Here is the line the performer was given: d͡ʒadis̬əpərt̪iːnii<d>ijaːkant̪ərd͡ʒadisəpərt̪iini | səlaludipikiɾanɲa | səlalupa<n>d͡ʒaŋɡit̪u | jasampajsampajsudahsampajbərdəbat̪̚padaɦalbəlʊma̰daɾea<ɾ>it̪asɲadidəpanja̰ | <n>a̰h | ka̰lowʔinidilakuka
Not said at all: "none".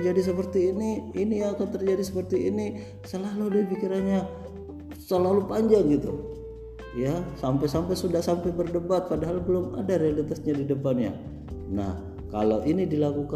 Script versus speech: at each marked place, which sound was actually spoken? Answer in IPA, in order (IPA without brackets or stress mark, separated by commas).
n, ɲ, l, n